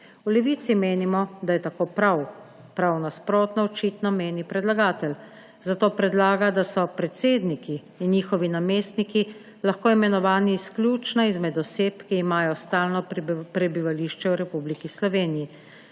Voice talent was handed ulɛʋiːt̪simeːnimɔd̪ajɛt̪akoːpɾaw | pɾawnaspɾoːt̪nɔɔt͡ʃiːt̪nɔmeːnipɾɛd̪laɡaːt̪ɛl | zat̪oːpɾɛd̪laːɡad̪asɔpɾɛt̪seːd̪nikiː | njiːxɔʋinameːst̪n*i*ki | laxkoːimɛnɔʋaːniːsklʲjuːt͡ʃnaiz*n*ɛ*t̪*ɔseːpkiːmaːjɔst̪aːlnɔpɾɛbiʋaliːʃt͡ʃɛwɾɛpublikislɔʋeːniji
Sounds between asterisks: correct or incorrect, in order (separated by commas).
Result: correct, incorrect, incorrect